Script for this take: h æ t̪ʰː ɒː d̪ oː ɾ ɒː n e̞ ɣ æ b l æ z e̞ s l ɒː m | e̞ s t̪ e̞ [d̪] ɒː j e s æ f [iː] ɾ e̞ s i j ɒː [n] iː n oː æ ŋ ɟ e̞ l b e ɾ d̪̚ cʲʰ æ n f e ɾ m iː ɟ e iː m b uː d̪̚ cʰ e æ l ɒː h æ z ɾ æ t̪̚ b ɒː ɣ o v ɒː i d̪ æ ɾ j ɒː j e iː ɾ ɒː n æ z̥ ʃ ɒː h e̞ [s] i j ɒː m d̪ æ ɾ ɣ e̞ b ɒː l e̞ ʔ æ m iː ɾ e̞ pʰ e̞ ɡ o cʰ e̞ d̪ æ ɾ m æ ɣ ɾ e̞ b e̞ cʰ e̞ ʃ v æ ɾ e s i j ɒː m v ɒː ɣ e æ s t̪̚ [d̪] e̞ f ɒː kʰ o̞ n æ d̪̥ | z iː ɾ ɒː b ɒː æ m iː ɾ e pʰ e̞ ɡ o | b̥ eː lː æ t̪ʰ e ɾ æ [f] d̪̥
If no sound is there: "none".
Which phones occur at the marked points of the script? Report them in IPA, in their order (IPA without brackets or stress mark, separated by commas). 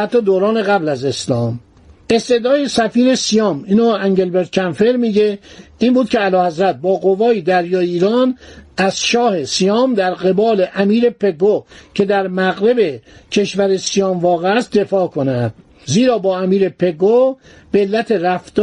d̪, iː, m, s, d̪, f